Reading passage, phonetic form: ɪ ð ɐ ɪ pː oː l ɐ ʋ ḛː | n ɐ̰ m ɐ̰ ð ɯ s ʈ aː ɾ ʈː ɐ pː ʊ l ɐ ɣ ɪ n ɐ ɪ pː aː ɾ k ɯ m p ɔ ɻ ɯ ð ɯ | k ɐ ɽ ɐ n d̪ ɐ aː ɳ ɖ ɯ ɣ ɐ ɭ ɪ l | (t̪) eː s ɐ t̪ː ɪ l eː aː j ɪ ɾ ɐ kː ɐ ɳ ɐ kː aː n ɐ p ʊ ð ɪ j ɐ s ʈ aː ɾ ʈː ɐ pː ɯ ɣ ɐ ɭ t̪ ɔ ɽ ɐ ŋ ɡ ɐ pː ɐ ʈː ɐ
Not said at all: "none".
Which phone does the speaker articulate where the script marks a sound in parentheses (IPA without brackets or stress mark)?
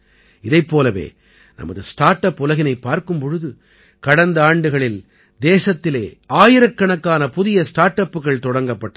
d̪